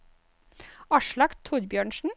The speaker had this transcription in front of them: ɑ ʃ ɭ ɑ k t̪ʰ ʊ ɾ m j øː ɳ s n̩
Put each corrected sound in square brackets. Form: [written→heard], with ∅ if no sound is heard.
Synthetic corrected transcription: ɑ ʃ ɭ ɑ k t̪ʰ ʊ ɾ [m→b] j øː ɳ [s→ʃ] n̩